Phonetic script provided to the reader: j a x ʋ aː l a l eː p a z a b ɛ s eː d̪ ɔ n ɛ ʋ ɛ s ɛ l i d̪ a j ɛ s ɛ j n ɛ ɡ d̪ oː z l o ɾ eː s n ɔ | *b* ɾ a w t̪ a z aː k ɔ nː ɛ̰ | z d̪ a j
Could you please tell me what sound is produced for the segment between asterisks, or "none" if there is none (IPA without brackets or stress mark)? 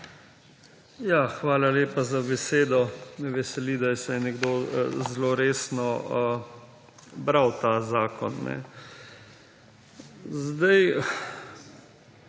b